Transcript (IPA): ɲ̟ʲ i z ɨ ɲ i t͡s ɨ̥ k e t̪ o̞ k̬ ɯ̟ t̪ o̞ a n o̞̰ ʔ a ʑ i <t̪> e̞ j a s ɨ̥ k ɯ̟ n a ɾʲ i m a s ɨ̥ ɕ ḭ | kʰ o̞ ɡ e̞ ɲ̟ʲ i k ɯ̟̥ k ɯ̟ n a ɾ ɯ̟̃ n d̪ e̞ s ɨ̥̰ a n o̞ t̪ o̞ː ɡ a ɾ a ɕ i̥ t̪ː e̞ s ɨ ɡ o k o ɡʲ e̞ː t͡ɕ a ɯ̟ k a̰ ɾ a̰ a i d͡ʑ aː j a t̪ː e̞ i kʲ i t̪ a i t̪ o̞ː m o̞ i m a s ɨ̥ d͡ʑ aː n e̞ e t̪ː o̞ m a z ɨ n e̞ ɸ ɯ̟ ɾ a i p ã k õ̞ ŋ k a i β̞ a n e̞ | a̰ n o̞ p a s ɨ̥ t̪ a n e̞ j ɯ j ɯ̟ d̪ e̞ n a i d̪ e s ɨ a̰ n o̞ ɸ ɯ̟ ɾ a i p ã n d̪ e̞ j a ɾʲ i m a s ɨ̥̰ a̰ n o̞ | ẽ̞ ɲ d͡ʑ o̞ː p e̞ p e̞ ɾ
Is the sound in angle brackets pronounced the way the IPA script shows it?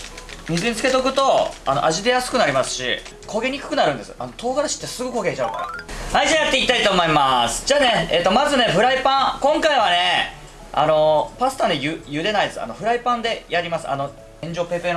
no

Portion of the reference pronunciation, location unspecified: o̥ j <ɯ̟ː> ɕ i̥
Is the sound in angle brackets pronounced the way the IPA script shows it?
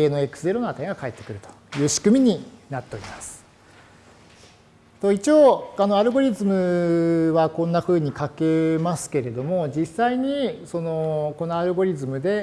yes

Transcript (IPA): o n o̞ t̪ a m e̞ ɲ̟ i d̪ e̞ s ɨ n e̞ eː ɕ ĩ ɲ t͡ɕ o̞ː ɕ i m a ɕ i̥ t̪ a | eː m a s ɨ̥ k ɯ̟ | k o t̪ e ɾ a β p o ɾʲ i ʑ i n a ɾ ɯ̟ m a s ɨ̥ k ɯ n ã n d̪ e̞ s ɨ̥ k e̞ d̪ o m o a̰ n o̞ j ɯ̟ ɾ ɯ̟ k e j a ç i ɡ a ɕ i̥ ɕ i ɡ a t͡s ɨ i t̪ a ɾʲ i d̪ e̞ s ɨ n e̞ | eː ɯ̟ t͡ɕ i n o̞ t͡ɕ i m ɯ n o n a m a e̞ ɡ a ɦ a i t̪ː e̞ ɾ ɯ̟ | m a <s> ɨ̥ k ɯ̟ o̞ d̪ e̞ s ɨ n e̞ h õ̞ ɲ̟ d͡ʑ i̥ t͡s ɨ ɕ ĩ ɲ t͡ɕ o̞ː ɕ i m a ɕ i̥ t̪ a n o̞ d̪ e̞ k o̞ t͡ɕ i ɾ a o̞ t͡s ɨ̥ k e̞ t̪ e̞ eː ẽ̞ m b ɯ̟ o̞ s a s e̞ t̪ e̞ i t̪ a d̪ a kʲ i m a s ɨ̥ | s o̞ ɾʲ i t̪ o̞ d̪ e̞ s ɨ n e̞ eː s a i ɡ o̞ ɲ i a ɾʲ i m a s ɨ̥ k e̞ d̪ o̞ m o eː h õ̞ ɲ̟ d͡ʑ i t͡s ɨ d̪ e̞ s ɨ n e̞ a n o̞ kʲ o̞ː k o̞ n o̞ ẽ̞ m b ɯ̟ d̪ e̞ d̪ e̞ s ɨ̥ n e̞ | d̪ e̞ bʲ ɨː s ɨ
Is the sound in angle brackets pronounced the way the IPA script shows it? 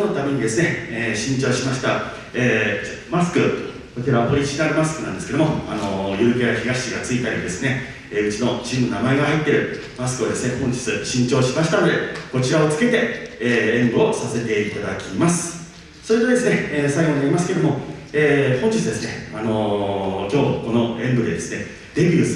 yes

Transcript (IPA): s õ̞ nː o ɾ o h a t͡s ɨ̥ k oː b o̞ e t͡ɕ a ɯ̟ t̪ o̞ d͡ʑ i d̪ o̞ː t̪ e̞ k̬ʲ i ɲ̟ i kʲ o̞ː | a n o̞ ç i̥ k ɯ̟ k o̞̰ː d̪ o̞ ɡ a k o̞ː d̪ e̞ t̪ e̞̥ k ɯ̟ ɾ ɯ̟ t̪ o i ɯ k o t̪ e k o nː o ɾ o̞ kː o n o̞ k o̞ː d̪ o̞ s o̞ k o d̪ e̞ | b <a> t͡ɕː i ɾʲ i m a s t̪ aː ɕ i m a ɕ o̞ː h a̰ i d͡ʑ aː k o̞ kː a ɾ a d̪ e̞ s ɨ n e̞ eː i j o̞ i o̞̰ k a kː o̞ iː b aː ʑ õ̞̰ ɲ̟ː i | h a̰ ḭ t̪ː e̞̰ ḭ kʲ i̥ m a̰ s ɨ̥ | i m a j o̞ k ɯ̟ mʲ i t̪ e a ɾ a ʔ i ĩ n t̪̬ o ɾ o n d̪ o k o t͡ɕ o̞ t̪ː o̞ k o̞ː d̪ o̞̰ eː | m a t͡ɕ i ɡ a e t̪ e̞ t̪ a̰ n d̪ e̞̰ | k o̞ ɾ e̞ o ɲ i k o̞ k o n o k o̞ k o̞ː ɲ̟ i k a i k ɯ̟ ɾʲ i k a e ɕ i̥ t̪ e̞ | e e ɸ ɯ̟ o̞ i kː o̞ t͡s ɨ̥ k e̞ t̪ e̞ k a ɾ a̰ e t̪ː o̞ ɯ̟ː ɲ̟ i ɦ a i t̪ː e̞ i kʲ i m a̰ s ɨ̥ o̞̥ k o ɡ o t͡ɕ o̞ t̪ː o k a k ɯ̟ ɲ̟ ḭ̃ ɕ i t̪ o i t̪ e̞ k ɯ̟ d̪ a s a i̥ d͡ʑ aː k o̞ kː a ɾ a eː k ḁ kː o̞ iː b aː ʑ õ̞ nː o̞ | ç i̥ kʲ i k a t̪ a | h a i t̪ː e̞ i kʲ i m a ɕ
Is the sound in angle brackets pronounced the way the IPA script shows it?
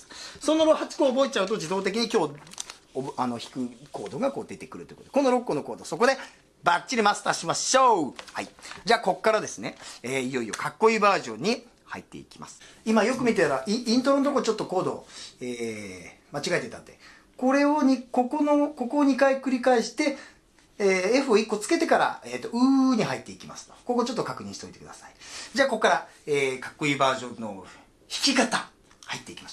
yes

